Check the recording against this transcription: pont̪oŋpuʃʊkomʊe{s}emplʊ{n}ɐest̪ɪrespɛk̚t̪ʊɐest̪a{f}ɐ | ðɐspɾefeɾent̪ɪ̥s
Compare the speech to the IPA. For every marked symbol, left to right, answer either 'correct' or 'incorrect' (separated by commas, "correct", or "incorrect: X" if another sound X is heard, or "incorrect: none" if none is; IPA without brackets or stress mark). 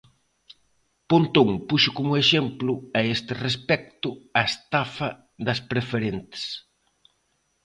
incorrect: ʃ, incorrect: none, correct